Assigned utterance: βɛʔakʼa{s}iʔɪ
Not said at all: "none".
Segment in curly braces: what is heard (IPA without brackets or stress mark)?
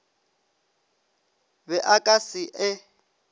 s